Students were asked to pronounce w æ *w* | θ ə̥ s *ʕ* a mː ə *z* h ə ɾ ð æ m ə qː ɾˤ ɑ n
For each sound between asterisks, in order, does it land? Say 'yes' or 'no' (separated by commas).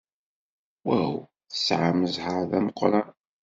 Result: yes, yes, yes